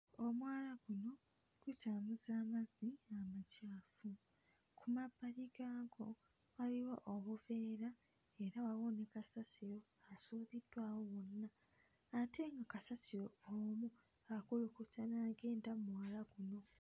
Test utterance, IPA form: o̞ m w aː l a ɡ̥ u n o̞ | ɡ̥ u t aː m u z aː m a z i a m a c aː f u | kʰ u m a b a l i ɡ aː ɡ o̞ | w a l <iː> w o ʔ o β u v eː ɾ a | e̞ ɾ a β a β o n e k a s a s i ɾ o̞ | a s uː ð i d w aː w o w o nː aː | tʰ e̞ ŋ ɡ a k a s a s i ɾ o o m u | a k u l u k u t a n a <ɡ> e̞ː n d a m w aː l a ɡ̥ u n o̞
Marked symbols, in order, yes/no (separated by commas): no, yes